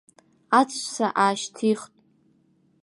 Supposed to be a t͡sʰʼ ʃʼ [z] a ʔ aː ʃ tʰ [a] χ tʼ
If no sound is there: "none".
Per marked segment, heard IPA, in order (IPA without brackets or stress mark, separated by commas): s, i